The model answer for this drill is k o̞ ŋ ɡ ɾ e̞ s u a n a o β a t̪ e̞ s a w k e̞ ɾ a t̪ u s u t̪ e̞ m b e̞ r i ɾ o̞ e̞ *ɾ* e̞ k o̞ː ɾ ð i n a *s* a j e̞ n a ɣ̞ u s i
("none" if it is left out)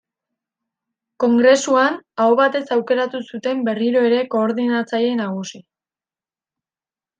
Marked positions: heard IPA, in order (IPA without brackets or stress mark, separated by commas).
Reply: ɾ, t͡s